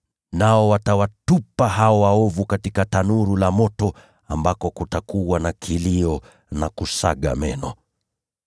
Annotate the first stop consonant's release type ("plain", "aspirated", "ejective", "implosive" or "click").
plain